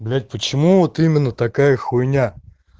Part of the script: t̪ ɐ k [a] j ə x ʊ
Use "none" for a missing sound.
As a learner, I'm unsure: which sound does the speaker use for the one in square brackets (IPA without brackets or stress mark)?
a